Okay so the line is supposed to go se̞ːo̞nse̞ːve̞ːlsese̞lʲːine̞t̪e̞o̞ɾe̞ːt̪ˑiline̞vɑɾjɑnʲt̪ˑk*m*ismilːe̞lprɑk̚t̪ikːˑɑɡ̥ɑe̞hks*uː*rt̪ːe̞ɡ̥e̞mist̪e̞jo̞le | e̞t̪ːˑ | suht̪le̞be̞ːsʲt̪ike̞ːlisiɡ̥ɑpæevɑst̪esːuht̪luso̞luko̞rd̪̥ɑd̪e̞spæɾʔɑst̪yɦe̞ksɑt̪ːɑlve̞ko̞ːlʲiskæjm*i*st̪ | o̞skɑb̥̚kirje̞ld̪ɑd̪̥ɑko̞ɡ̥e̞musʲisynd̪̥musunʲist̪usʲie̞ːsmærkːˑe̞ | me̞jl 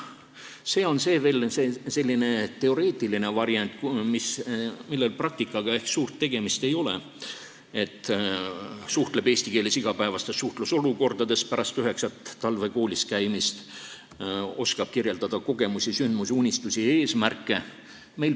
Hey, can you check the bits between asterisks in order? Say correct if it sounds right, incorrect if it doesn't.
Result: correct, correct, correct

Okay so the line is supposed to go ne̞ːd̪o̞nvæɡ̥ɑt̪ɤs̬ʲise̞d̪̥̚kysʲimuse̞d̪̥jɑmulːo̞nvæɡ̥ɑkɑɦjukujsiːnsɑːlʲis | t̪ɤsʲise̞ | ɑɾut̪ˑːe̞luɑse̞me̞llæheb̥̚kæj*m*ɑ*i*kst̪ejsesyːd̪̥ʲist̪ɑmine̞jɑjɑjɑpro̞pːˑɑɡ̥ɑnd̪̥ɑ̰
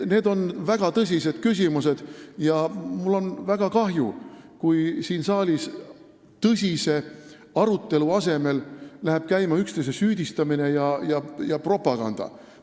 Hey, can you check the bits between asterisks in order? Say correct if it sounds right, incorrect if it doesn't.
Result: correct, incorrect

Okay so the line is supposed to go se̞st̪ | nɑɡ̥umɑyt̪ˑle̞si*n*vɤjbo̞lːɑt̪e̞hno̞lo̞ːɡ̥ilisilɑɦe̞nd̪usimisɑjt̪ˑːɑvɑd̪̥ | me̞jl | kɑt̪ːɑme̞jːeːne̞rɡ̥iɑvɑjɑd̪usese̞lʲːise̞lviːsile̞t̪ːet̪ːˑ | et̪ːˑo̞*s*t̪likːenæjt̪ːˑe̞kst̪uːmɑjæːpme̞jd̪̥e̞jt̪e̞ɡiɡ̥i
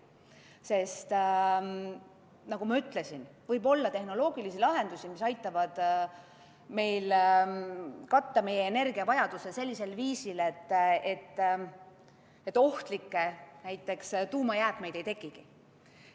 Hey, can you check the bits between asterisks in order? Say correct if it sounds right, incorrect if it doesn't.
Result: correct, incorrect

